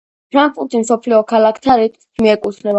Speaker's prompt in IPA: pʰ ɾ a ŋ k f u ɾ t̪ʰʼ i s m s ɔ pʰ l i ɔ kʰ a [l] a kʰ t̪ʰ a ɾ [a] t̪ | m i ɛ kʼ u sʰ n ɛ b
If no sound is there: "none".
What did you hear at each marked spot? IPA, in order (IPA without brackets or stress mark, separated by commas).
l, i